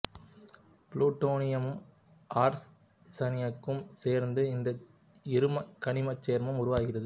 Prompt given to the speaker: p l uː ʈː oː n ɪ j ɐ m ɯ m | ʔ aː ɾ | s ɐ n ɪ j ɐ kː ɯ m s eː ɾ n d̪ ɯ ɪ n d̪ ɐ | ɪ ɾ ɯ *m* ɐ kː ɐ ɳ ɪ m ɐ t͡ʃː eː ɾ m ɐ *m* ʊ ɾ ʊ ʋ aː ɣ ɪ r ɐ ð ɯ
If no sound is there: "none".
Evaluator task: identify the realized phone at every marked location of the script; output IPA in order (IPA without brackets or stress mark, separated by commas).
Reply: m, m